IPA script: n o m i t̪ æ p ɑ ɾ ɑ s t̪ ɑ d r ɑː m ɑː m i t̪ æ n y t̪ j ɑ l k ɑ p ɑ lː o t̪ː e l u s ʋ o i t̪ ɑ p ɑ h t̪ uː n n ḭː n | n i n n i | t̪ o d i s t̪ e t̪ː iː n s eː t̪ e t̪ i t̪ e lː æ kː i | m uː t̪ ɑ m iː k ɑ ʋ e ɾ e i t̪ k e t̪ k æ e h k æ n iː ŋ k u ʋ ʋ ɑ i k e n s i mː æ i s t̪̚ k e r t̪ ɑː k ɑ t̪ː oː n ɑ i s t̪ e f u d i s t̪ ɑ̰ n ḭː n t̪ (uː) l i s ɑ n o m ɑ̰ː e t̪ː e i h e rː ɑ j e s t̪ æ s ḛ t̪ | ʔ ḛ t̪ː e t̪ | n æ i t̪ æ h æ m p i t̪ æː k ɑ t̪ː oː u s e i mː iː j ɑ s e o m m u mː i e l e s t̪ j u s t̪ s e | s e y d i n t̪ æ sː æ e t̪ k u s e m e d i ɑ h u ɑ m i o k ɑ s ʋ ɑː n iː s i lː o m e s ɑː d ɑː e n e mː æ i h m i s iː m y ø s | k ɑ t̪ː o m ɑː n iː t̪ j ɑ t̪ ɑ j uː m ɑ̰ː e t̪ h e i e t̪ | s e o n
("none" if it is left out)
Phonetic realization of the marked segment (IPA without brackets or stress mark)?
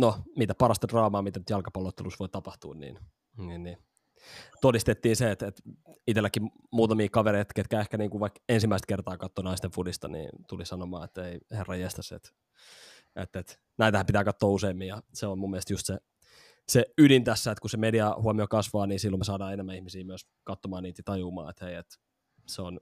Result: u